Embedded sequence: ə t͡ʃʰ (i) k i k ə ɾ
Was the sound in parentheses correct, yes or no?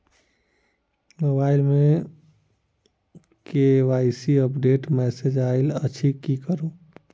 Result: yes